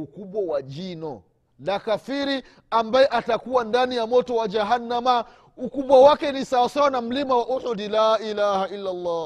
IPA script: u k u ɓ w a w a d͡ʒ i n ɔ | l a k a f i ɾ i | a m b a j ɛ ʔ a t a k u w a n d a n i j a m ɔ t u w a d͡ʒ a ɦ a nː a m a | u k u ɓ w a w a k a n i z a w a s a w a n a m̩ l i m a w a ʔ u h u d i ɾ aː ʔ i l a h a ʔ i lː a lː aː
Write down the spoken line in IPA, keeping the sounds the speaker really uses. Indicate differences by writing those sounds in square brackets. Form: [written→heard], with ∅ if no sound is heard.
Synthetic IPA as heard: u k u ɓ w a w a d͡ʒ i n ɔ | l a k a f i ɾ i | a m b a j ɛ ʔ a t a k u w a n d a n i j a m ɔ t [u→ɔ] w a d͡ʒ a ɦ a nː a m a | u k u ɓ w a w a k [a→ɛ] n i [z→s] a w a s a w a n a m̩ l i m a w a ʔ u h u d i [ɾ→l] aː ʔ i l a h a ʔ i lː a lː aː